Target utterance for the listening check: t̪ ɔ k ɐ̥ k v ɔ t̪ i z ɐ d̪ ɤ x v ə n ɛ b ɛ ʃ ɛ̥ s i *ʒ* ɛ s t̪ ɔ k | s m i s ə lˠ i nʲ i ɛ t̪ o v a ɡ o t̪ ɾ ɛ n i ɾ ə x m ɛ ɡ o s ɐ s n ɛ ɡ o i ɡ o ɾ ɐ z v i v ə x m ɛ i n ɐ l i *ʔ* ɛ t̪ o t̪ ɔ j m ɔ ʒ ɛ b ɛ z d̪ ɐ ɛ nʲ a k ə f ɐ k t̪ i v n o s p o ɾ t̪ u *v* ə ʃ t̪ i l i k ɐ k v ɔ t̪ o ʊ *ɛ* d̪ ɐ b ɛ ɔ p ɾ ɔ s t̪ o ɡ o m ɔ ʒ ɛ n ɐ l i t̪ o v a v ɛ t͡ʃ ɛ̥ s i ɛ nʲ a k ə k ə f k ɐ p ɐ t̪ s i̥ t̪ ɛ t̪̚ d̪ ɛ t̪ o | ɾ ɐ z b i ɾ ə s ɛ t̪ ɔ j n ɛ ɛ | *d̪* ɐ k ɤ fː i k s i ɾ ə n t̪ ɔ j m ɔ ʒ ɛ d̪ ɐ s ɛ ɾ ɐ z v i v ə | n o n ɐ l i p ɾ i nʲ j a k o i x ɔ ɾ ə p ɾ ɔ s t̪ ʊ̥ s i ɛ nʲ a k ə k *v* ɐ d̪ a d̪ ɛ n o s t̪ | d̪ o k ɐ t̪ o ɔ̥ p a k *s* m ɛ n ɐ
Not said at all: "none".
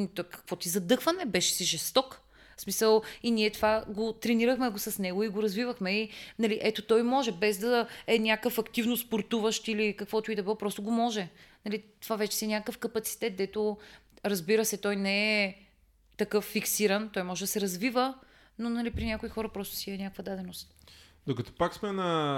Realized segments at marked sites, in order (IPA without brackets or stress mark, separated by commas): ʒ, ʔ, v, i, t̪, v, s